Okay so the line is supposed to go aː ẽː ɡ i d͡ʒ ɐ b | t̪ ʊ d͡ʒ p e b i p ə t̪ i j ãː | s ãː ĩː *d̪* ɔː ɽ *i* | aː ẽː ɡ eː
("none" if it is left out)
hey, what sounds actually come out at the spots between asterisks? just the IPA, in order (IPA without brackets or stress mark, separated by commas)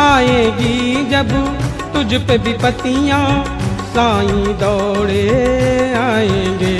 d̪, e